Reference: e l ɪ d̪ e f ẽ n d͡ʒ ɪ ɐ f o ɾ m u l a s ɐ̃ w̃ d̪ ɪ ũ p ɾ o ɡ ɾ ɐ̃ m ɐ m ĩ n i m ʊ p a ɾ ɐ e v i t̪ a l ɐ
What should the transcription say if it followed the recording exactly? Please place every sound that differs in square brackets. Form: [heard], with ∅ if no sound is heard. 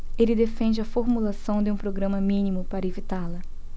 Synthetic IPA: e l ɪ d̪ e f ẽ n d͡ʒ ɪ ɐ f o ɾ m u l a s ɐ̃ w̃ d̪ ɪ ũ p ɾ o ɡ ɾ ɐ̃ m ɐ m ĩ n i m ʊ p a ɾ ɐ e v i t̪ a l ɐ